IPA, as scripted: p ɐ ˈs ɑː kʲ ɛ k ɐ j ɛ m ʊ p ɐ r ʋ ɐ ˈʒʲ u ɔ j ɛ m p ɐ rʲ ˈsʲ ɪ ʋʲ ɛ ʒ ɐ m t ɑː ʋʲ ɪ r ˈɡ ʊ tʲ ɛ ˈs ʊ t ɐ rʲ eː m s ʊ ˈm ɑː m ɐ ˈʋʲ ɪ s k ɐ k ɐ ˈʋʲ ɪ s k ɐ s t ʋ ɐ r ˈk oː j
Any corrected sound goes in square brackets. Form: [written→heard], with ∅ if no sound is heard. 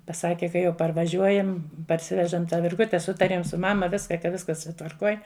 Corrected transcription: p ɐ ˈs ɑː kʲ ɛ k ɐ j ɛ [m→∅] ʊ p ɐ r ʋ ɐ ˈʒʲ u ɔ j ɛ m p ɐ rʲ ˈsʲ ɪ ʋʲ ɛ ʒ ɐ m t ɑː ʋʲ ɪ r ˈɡ ʊ tʲ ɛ ˈs ʊ t ɐ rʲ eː m s ʊ ˈm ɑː m ɐ ˈʋʲ ɪ s k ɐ k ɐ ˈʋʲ ɪ s k ɐ s t ʋ ɐ r ˈk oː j